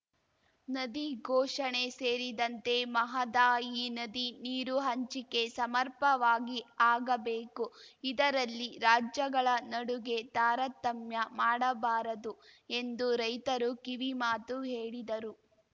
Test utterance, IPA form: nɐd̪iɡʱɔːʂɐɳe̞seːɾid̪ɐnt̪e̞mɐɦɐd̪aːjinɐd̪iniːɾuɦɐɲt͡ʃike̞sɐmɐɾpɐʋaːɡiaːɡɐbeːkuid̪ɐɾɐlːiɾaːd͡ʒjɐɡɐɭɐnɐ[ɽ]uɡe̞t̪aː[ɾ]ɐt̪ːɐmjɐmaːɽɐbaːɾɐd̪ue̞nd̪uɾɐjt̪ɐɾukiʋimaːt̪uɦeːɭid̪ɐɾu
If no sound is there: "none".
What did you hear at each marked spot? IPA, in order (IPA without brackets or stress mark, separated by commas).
ɽ, ɾ